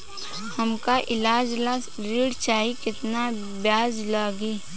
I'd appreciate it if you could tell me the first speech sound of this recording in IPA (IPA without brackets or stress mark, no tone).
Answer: h